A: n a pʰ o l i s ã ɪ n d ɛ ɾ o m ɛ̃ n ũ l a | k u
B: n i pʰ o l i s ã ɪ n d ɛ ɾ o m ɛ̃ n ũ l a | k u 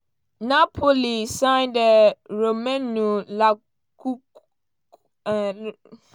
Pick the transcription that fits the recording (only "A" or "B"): A